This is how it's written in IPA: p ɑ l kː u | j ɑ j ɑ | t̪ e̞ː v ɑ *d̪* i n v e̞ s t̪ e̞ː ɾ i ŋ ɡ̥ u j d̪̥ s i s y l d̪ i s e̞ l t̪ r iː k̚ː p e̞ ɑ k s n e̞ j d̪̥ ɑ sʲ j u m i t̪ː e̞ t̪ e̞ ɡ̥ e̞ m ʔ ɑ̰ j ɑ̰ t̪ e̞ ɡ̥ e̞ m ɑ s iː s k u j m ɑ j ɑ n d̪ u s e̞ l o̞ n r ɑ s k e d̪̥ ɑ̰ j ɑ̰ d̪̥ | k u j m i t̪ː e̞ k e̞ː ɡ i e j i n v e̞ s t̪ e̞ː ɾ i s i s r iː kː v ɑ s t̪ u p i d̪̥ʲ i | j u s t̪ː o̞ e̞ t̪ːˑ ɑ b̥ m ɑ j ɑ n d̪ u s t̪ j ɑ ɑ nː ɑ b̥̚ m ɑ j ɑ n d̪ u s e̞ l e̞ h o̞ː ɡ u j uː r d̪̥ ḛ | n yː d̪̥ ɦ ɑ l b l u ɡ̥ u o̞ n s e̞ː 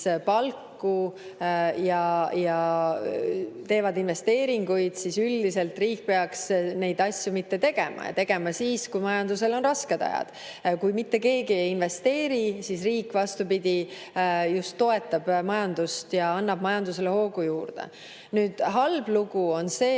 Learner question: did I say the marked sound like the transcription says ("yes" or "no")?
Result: yes